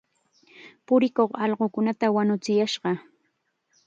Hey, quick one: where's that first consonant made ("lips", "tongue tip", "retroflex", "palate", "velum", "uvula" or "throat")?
lips